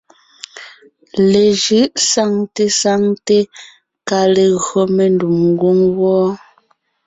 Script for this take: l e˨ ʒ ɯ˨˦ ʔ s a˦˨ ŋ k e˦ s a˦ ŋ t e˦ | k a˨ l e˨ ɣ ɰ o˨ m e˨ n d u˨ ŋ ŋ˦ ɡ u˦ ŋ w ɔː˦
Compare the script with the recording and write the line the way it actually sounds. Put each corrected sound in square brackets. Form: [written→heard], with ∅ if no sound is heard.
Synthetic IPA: l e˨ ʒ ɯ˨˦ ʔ s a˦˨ ŋ [k→t] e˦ s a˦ ŋ t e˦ | k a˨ l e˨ ɣ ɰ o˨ m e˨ n d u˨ [ŋ→m] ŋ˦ ɡ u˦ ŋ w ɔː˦